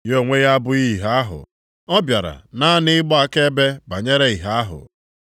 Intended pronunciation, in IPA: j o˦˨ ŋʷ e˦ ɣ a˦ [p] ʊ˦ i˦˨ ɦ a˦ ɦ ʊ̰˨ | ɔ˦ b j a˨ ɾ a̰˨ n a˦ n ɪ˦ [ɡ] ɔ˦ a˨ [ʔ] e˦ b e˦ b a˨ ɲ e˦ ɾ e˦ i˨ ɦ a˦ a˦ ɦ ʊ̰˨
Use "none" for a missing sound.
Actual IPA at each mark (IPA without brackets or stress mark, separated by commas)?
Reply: b, ɡ͡b, k